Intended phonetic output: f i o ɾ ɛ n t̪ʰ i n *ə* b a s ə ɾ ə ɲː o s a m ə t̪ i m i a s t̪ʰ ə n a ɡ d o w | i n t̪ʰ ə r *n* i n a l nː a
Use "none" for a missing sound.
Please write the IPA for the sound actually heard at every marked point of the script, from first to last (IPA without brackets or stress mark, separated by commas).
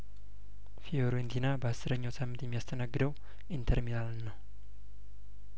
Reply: a, m